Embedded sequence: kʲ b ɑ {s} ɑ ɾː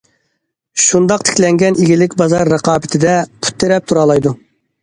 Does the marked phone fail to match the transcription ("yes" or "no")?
yes